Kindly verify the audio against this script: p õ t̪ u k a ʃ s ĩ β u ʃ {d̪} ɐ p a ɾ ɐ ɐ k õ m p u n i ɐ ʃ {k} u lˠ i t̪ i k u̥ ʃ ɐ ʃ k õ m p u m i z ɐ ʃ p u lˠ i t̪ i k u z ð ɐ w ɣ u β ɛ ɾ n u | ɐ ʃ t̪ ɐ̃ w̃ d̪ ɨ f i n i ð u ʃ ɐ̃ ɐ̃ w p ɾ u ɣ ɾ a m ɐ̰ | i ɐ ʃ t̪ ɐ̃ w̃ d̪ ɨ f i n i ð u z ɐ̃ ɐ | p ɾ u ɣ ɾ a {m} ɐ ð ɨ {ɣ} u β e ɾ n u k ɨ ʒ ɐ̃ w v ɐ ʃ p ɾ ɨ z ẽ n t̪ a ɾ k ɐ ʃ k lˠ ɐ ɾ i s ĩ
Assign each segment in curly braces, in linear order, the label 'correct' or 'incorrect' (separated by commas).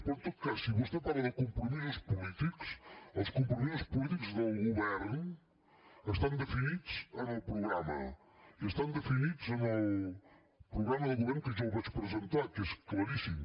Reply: incorrect, incorrect, correct, correct